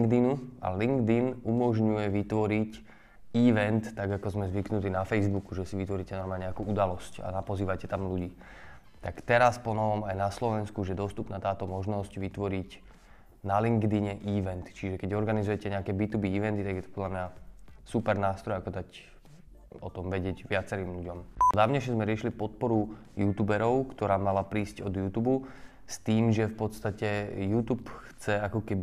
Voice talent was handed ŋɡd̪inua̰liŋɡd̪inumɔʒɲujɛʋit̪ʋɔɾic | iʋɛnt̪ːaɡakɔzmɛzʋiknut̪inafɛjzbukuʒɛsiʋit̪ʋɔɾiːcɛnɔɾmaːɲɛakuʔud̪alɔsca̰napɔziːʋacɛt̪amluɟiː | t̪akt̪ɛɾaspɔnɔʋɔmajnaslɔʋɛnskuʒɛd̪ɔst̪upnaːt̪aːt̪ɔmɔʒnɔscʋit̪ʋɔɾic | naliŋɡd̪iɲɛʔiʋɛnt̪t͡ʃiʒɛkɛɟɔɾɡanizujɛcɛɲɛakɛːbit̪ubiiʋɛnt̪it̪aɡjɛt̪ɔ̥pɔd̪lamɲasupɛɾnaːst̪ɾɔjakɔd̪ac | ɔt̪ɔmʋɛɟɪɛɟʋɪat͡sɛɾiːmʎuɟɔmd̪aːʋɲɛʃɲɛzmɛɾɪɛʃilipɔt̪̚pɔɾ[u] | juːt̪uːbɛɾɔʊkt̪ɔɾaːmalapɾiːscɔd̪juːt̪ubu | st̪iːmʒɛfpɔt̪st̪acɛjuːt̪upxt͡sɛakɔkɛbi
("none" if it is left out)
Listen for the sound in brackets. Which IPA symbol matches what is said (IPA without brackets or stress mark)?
u